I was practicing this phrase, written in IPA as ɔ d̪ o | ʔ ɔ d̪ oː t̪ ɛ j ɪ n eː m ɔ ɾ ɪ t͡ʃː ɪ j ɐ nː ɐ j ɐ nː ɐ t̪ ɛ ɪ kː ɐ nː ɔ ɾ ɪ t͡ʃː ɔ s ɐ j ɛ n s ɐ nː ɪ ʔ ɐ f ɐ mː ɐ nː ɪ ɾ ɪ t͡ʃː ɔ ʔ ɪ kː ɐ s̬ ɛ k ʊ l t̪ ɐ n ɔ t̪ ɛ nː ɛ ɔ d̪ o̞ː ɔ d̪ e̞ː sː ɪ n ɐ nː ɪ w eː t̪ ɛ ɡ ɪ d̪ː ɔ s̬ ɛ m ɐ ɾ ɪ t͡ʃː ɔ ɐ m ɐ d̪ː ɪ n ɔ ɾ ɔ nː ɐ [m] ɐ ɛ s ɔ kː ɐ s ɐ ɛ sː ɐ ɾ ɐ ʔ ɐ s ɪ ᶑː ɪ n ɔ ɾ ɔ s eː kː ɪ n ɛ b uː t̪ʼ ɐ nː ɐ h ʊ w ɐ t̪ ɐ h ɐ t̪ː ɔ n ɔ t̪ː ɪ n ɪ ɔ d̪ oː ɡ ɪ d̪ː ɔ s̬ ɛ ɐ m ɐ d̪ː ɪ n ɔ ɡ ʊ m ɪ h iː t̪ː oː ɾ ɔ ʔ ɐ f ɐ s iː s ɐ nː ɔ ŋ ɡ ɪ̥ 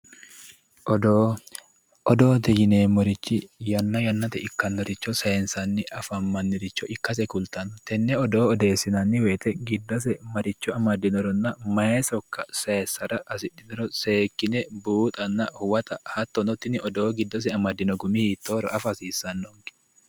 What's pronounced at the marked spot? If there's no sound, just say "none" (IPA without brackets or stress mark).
m